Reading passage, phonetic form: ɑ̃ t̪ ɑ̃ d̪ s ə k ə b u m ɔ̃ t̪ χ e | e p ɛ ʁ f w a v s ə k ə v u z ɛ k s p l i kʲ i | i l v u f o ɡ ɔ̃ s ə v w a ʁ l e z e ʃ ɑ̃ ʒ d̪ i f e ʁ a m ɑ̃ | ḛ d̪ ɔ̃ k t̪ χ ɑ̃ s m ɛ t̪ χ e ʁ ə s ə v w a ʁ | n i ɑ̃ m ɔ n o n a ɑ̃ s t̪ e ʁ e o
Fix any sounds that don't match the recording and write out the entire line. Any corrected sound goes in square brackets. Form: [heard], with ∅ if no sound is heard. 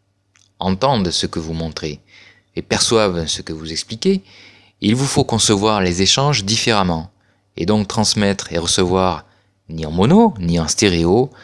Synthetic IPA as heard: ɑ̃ t̪ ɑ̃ d̪ s ə k ə [v] u m ɔ̃ t̪ χ e | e p ɛ ʁ [s] w a v s ə k ə v u z ɛ k s p l i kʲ [e] | i l v u f o [k] ɔ̃ s ə v w a ʁ l e z e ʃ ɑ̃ ʒ d̪ i f e ʁ a m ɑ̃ | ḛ d̪ ɔ̃ k t̪ χ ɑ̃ s m ɛ t̪ χ e ʁ ə s ə v w a ʁ | n i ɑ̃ m ɔ n o n [i] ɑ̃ s t̪ e ʁ e o

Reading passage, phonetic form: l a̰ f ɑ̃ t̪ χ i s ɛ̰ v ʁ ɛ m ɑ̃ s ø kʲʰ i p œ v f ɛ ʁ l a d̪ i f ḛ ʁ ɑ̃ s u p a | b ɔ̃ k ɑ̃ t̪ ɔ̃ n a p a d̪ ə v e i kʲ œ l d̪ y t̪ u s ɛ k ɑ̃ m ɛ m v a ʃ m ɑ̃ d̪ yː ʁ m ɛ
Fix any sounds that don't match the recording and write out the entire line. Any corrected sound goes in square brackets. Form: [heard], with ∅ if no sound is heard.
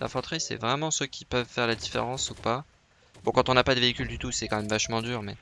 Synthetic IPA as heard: l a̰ f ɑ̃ t̪ χ i s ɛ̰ v ʁ ɛ m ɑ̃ s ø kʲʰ i p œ v f ɛ ʁ l a d̪ i f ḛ ʁ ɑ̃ s u p a | b ɔ̃ k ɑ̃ t̪ ɔ̃ n a p a d̪ ə v e i kʲ [y] l d̪ y t̪ u s ɛ k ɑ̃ m ɛ m v a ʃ m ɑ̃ d̪ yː ʁ m ɛ

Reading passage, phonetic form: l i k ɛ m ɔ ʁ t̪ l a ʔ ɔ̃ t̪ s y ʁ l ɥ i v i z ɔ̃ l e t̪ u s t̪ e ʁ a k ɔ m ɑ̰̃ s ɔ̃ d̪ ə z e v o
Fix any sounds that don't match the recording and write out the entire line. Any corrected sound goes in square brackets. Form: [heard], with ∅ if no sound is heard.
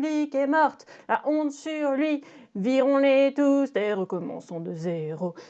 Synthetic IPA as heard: l i k ɛ m ɔ ʁ t̪ l a ʔ ɔ̃ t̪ s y ʁ l ɥ i v i [ʁ] ɔ̃ l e t̪ u s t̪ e ʁ [ə] k ɔ m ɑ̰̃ s ɔ̃ d̪ ə z e [ʁ] o

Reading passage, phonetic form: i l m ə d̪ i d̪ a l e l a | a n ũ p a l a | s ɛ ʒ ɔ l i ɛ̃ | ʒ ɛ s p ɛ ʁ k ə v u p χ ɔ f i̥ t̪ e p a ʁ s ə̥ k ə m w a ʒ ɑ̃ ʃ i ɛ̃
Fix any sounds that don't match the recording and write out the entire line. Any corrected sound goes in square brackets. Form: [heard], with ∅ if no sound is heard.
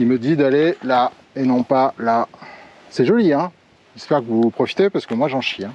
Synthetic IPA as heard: i l m ə d̪ i d̪ a l e l a | [e] n [ɔ̃] p a l a | s ɛ ʒ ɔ l i ɛ̃ | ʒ ɛ s p ɛ ʁ k ə v u p χ ɔ f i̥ t̪ e p a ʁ s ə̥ k ə m w a ʒ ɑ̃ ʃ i ɛ̃

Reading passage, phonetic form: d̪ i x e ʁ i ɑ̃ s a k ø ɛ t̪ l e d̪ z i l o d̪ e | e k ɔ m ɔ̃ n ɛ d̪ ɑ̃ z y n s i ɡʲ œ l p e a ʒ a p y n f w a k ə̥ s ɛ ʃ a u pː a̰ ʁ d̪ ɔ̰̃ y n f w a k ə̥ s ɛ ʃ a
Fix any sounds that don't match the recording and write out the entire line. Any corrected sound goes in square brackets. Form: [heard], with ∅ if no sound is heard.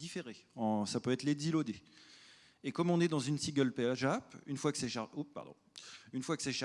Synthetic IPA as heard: d̪ i [f] e ʁ [e] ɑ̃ s a [p] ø ɛ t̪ l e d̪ z i l o d̪ e | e k ɔ m ɔ̃ n ɛ d̪ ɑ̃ z y n s i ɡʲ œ l p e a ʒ a p y n f w a k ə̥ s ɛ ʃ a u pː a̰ ʁ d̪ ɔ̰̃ y n f w a k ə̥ s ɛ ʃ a

